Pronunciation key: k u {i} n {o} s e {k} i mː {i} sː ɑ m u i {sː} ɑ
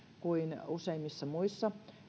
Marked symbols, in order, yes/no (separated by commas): yes, no, no, yes, yes